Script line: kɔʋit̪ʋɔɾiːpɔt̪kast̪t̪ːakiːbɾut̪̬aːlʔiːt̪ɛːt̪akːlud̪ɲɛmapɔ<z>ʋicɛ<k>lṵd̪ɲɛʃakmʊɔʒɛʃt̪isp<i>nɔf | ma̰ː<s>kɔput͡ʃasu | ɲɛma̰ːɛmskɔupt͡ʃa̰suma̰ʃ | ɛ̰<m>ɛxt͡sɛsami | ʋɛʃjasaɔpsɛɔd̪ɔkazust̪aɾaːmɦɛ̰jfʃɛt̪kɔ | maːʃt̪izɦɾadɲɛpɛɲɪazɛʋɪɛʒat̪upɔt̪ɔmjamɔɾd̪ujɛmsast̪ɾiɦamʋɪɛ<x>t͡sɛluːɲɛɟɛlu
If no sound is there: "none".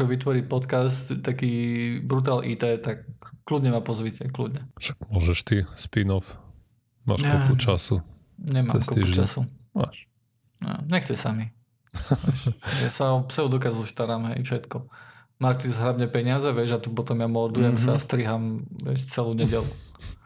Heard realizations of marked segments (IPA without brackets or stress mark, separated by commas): z, k, i, ʃ, ɲ, ʃ